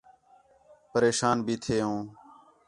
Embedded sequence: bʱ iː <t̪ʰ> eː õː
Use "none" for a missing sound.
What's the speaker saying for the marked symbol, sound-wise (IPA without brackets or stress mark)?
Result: t̪ʰ